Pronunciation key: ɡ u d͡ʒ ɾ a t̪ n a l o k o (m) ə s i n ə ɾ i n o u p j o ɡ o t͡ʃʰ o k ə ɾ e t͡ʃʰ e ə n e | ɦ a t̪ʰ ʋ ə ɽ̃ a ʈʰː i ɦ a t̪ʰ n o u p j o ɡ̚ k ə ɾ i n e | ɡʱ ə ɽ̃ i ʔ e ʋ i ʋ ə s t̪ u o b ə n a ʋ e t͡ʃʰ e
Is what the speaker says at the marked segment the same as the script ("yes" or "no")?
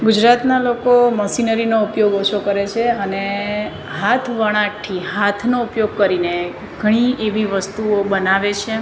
yes